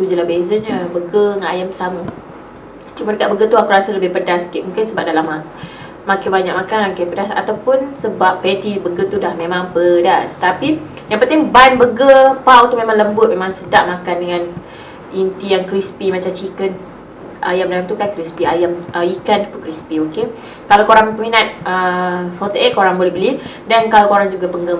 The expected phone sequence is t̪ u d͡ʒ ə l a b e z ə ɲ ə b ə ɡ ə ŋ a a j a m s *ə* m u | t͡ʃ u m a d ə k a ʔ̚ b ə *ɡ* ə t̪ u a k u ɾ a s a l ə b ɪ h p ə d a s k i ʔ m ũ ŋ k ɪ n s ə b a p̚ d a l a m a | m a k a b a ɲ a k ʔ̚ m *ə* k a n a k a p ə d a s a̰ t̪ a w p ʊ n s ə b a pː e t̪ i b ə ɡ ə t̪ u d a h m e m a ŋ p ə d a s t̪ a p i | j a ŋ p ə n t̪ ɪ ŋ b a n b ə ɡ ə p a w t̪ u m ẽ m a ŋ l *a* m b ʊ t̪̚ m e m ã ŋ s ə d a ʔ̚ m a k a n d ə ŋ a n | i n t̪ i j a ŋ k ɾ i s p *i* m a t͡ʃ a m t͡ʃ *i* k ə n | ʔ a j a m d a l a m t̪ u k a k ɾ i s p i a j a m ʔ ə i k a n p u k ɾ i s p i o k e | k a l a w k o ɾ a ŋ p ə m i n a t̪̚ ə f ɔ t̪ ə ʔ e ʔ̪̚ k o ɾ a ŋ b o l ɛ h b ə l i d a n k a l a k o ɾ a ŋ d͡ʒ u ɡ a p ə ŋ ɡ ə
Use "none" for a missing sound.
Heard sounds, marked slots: a, ɡ, a, ə, i, i

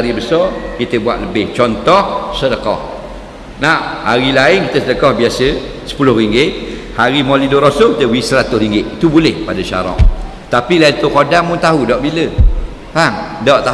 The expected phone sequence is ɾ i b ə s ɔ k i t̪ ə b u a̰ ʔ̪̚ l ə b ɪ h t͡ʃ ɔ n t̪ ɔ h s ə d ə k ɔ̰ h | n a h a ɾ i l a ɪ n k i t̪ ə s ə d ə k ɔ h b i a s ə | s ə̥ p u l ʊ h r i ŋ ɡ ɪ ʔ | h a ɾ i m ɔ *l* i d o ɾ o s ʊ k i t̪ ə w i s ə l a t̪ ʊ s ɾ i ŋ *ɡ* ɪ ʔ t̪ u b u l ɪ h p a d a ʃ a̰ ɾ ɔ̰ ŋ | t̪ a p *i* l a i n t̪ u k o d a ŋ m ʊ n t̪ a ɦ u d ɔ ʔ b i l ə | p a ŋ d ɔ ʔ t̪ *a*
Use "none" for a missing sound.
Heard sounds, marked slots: l, ɡ, i, a

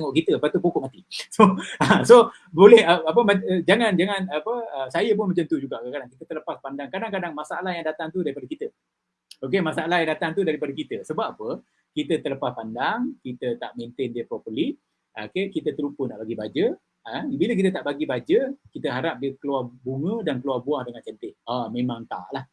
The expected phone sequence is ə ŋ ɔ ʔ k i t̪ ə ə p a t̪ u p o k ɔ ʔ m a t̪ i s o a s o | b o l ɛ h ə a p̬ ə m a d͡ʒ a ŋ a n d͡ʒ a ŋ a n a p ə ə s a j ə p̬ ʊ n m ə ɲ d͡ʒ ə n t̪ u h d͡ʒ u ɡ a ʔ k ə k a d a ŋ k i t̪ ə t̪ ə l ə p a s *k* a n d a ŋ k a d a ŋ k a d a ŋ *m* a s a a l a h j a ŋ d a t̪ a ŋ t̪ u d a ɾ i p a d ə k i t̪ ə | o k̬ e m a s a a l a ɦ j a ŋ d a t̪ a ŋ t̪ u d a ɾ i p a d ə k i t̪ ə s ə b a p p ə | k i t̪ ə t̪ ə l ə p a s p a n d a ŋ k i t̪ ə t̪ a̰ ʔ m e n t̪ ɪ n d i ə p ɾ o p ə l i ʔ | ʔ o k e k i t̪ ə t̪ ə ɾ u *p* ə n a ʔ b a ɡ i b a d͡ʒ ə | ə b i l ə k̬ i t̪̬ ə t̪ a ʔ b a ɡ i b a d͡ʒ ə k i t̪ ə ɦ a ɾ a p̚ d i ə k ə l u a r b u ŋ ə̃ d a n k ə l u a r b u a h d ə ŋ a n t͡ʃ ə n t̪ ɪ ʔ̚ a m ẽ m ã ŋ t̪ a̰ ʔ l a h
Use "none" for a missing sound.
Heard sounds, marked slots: p, m, p

